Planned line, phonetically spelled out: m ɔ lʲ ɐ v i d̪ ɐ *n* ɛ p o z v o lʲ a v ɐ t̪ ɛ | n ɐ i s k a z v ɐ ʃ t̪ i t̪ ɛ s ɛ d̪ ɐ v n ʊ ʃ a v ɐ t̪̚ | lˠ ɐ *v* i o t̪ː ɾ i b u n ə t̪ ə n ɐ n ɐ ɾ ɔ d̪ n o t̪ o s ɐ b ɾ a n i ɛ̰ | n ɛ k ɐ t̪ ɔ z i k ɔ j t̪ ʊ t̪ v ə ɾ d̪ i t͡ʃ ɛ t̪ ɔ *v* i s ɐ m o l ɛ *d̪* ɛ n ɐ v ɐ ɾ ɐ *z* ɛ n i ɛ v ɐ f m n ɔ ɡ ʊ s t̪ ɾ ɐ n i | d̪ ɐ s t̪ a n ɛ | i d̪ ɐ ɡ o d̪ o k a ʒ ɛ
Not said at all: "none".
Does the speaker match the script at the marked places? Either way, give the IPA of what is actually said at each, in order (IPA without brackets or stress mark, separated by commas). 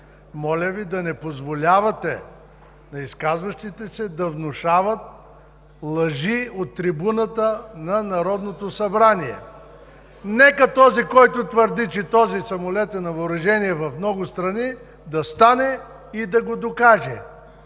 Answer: n, ʒ, z, t̪, ʒ